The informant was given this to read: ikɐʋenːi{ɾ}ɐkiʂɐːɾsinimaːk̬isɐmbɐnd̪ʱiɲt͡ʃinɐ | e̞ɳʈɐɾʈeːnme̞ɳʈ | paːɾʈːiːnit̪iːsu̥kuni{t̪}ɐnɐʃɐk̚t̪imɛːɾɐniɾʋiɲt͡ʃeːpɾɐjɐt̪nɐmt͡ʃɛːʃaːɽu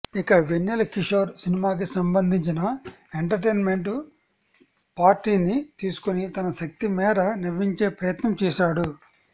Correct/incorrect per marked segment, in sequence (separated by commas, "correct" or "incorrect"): incorrect, correct